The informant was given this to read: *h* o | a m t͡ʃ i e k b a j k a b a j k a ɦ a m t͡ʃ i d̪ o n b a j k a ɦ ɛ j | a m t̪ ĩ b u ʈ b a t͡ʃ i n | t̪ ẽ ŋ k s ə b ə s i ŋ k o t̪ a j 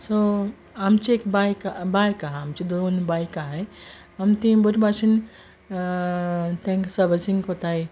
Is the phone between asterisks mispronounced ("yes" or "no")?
yes